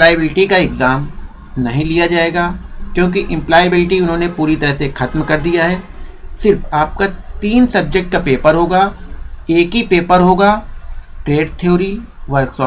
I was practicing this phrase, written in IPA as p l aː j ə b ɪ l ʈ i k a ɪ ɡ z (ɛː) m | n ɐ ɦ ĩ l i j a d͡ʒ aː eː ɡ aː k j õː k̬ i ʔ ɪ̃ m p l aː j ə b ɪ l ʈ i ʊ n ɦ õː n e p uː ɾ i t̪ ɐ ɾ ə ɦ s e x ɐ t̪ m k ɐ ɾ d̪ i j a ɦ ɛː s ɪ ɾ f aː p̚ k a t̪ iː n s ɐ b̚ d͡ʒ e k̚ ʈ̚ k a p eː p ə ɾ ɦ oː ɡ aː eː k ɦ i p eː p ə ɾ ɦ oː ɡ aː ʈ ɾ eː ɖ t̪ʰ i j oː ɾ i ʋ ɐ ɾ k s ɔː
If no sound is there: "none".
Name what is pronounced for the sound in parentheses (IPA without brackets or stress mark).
aː